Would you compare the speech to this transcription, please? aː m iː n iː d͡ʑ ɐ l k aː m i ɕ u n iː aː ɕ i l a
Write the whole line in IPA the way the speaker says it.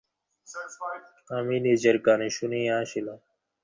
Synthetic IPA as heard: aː m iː n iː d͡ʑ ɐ ɾ k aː n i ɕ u n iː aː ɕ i l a